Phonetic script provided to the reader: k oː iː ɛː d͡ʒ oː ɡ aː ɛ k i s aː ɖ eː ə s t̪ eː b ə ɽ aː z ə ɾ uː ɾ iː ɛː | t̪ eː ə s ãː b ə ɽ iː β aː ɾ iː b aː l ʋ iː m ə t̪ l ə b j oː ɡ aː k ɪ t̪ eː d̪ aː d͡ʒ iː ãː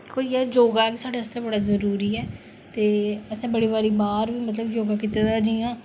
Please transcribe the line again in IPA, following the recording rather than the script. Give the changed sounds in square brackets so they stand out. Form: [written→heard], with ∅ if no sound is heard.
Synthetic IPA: k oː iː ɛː d͡ʒ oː ɡ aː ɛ k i s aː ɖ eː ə s t̪ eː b ə ɽ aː z ə ɾ uː ɾ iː ɛː | t̪ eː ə s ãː b ə ɽ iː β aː ɾ iː b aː [l→ɾ] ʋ iː m ə t̪ l ə b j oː ɡ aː k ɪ t̪ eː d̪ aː d͡ʒ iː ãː